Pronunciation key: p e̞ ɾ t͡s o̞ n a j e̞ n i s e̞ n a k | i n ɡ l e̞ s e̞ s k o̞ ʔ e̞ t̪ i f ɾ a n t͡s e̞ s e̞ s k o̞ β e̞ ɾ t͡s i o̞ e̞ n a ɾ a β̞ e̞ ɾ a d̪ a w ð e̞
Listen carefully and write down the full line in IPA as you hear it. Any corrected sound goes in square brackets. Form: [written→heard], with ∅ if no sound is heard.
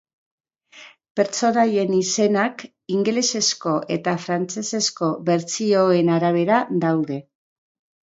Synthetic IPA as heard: p e̞ ɾ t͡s o̞ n a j e̞ n i s e̞ n a k | i [n→ŋ] ɡ l e̞ s e̞ s k o̞ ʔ e̞ t̪ [i→a] f ɾ a n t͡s e̞ s e̞ s k o̞ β e̞ ɾ t͡s i o̞ e̞ n a ɾ a β̞ e̞ ɾ a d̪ a w ð e̞